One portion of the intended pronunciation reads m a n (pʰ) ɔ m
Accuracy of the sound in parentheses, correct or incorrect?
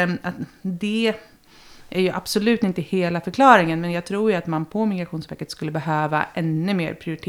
correct